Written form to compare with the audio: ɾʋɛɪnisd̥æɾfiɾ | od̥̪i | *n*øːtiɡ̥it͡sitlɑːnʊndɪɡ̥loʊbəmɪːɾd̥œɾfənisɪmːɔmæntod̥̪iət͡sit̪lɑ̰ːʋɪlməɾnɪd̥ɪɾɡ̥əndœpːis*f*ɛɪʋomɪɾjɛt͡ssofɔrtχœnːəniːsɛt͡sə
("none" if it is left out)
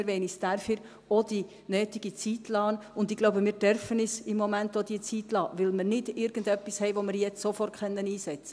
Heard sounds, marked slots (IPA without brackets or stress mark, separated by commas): n, h